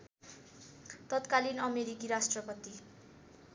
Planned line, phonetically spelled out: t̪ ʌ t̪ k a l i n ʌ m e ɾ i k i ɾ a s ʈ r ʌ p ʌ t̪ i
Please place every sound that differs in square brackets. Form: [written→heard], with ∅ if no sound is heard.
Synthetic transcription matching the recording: t̪ ʌ t̪ k a l i n ʌ m e ɾ i k i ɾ a s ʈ r ʌ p ʌ t̪ i